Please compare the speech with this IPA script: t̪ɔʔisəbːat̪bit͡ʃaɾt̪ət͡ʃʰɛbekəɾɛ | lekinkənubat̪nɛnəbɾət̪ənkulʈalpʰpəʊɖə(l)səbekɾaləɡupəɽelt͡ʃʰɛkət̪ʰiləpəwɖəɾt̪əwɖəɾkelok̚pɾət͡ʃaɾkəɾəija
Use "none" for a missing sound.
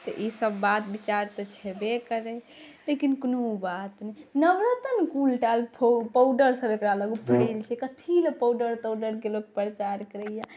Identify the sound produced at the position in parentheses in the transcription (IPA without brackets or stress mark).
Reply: ɾ